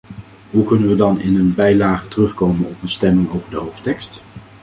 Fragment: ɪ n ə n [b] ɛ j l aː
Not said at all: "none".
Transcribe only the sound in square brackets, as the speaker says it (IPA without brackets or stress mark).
b